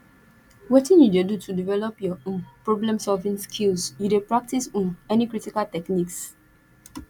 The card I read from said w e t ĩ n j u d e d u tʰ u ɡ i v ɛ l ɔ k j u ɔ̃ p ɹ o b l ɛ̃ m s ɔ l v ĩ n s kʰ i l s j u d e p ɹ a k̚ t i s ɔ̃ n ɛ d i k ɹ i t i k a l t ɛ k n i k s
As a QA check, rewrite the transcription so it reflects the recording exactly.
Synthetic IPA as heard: w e t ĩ n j u d e d u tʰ u d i v ɛ l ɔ p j ɔ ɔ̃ p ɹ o b l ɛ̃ m s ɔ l v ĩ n s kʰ i l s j u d e p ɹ a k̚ t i s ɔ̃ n ɛ n i k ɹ i t i k a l t ɛ k n i k s